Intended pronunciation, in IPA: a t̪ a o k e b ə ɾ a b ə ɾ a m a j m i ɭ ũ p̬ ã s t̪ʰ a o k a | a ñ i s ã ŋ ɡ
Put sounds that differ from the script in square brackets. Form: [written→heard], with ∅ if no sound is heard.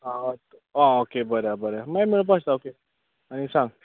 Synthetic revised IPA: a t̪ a o k e b ə ɾ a b ə ɾ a m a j m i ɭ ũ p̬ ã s [t̪ʰ→t̪] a o k [a→e] | a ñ i s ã ŋ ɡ